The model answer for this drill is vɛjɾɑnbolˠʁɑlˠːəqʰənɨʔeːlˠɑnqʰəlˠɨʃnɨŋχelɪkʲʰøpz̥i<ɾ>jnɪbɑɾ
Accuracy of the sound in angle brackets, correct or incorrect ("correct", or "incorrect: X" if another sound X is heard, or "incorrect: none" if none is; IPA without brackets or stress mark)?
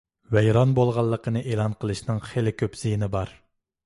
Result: incorrect: none